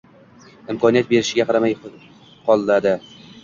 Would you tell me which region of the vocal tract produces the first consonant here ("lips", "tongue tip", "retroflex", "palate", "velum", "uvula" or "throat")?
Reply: lips